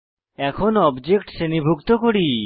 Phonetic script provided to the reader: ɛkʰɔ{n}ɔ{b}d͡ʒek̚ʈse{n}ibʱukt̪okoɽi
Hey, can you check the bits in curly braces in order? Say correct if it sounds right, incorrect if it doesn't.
correct, correct, correct

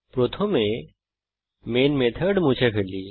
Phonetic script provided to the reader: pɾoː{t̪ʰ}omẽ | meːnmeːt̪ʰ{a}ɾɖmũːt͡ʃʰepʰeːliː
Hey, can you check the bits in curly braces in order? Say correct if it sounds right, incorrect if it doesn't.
correct, incorrect: ə

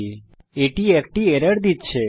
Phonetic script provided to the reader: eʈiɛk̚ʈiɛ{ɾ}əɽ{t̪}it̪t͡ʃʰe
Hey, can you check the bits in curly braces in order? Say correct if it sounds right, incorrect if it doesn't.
correct, incorrect: d̪

